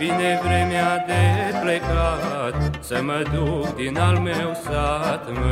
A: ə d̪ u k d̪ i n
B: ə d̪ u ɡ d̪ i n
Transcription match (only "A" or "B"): A